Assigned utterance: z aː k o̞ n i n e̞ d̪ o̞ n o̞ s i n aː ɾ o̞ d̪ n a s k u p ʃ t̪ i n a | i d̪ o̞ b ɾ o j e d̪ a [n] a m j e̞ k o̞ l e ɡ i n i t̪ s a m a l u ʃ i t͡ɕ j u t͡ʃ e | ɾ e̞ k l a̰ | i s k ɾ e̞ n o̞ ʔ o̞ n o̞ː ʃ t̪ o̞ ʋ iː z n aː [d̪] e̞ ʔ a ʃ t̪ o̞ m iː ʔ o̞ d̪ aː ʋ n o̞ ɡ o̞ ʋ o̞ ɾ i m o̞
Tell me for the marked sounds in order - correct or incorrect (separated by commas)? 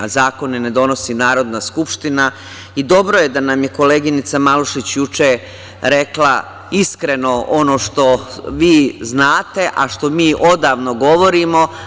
correct, incorrect